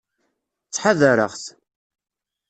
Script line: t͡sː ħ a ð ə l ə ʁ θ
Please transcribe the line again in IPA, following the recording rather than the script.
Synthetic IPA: t͡sː ħ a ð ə ɾ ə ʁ θ